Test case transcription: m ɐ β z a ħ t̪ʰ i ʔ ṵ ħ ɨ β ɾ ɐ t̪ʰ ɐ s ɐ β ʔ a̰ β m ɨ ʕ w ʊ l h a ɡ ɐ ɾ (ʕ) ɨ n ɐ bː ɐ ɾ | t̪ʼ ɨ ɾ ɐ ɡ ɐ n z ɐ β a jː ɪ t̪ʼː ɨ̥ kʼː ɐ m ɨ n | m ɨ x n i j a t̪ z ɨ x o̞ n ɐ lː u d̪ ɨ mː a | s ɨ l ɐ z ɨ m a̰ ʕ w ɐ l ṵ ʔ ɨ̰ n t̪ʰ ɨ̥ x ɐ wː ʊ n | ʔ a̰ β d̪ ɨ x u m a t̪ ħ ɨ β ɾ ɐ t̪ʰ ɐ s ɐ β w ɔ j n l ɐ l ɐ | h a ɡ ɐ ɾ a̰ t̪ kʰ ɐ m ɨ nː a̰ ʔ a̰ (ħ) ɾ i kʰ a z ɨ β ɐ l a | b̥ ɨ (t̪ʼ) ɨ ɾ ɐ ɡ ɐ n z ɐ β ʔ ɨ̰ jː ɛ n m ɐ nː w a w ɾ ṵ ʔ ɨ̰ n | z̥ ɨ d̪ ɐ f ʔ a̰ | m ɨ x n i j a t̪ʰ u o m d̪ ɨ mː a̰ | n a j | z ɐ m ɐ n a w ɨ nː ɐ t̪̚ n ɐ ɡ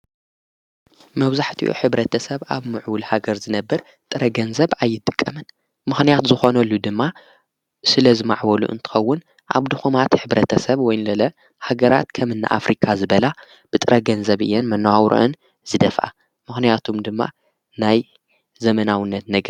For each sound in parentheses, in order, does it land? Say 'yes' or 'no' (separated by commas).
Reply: no, no, yes